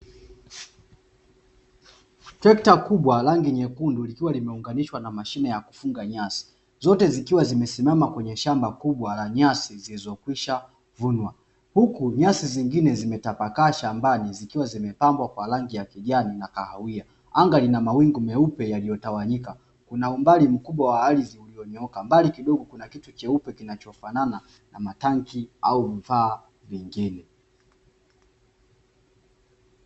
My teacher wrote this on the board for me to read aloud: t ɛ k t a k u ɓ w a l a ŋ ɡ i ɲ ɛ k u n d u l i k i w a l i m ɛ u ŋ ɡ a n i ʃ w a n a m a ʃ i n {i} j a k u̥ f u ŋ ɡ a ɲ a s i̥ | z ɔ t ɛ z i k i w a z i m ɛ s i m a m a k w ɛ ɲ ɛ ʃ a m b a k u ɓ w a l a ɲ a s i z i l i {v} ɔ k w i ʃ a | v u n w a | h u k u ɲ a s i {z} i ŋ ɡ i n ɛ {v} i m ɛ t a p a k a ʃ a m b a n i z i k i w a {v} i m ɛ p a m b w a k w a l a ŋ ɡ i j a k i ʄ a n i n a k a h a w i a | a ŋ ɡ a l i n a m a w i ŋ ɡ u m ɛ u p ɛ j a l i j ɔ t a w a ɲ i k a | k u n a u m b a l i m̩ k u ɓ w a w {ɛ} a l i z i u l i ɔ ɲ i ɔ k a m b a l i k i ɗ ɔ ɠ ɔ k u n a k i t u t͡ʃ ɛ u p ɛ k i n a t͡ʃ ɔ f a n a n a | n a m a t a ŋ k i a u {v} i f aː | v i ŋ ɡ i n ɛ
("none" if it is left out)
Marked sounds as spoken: ɛ, z, z, z, z, a, v

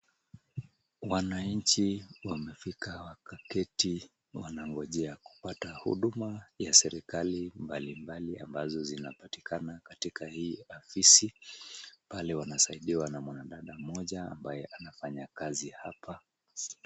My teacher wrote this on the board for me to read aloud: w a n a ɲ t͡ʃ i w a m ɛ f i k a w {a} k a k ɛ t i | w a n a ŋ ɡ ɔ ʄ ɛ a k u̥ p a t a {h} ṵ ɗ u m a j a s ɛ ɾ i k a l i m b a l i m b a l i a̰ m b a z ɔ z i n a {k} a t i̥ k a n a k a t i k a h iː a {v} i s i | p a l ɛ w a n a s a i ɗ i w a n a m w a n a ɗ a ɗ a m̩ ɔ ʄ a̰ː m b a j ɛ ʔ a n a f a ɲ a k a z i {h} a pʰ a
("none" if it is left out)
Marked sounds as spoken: a, h, p, f, h

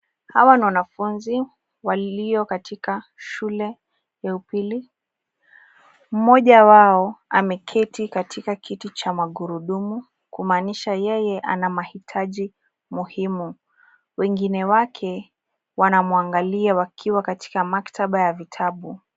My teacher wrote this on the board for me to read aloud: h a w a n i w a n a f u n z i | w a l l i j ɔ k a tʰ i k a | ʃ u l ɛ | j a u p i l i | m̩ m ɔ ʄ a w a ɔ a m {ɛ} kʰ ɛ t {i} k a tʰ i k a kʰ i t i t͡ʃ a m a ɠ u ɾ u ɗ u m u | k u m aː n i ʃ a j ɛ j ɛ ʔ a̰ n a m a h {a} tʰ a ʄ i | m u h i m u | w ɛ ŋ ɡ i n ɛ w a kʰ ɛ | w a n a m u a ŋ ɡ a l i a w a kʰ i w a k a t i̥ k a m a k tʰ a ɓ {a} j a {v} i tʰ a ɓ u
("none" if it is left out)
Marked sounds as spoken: ɛ, i, i, a, v

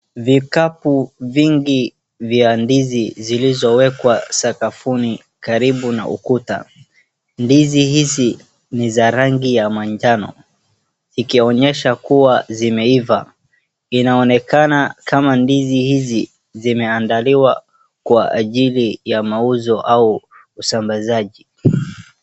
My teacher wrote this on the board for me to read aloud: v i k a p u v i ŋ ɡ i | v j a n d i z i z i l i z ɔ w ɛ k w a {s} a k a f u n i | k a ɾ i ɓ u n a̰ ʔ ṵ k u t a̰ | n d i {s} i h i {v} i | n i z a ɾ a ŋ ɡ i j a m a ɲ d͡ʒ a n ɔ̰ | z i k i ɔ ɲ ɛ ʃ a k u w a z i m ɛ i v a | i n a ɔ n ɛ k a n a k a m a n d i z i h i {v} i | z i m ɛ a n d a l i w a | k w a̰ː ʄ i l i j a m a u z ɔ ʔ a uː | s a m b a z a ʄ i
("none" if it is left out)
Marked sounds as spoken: s, z, z, z

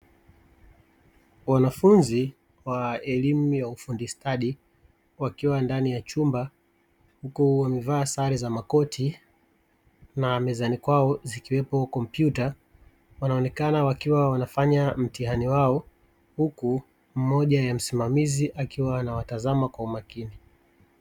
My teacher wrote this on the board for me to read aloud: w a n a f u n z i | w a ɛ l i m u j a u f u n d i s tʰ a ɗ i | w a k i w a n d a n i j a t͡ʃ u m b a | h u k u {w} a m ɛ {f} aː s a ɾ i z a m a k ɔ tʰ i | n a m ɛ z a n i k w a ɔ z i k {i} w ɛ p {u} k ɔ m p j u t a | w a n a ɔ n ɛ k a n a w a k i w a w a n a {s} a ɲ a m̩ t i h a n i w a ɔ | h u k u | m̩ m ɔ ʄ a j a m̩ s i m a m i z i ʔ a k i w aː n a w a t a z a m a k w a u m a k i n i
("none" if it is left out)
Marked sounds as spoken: w, v, i, ɔ, f

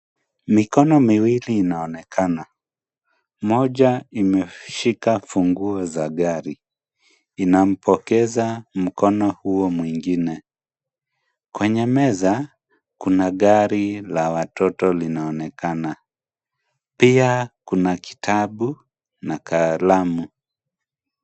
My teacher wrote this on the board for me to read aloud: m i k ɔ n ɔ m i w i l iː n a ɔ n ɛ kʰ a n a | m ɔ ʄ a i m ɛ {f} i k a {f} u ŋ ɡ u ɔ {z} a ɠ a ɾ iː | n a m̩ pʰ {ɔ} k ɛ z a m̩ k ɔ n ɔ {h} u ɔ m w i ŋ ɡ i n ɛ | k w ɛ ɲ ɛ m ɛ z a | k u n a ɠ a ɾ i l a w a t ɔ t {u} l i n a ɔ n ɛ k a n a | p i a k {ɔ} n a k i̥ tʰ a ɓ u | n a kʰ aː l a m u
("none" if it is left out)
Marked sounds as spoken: ʃ, f, z, ɔ, h, ɔ, u

